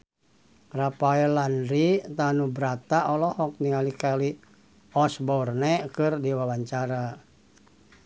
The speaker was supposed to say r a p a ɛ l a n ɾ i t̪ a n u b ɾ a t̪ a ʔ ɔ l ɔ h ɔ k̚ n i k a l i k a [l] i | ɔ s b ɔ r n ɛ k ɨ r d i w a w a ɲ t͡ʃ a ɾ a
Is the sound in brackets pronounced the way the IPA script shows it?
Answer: yes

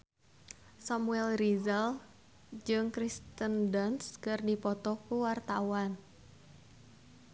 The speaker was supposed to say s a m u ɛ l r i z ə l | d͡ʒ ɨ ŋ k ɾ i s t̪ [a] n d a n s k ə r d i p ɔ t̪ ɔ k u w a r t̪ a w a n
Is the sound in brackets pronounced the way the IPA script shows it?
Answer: no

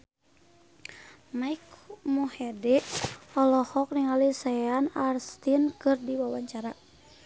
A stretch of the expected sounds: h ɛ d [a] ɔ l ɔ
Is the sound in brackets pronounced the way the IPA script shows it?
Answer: no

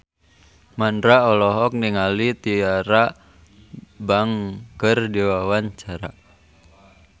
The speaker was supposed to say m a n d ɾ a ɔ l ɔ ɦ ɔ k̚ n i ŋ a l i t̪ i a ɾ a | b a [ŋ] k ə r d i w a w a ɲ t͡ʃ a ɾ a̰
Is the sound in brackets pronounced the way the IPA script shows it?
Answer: yes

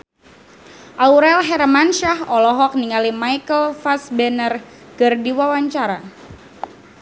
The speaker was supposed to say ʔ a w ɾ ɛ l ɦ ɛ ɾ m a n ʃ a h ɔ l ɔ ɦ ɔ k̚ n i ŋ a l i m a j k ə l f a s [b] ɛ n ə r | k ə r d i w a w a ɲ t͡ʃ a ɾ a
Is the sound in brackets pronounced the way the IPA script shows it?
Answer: yes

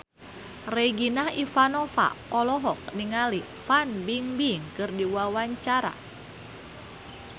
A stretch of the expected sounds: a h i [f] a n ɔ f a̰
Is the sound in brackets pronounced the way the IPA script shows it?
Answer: yes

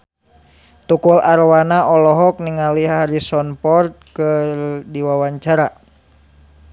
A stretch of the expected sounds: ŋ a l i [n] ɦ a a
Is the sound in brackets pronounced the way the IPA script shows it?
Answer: no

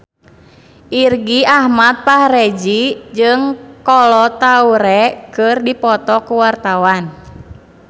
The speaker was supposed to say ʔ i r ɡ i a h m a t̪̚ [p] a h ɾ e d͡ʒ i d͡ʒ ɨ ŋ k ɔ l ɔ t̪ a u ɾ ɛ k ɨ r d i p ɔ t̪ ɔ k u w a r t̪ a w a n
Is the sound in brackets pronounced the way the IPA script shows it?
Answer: yes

